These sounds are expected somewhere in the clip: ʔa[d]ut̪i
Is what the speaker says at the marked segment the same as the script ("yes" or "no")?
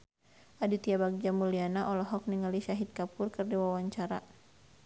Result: yes